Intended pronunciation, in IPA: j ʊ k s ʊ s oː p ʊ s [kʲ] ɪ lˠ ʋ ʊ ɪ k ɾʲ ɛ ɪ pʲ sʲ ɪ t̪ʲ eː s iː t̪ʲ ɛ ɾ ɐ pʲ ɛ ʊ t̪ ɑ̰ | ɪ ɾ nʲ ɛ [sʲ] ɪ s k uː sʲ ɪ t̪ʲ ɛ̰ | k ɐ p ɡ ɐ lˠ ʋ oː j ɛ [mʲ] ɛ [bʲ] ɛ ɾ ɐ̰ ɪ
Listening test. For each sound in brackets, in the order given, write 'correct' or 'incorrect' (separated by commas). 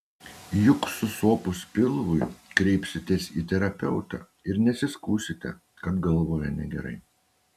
incorrect, correct, incorrect, incorrect